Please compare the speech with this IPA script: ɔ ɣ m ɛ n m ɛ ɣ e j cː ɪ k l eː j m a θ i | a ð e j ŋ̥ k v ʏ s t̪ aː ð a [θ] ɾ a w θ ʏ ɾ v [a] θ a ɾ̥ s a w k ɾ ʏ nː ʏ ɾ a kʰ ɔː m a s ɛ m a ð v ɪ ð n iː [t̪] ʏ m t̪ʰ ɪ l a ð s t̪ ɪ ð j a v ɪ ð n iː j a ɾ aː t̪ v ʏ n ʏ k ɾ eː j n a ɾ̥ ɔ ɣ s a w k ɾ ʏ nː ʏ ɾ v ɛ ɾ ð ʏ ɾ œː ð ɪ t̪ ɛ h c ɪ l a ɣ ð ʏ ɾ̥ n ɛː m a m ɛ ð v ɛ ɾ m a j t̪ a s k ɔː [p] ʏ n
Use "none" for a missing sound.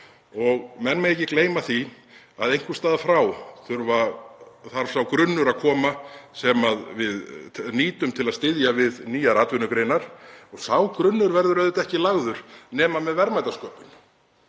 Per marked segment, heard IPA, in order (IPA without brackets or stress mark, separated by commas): f, a, t̪, p